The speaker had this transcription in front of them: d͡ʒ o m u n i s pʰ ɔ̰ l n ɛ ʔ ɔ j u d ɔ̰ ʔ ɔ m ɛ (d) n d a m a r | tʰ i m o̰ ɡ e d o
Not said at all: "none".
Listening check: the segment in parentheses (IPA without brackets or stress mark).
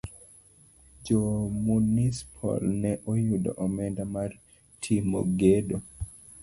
none